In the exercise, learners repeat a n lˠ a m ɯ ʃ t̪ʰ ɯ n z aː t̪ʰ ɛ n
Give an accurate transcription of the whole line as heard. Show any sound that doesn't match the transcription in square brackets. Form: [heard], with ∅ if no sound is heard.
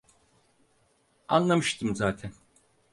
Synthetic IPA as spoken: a n lˠ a m ɯ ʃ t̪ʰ ɯ [m] z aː t̪ʰ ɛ n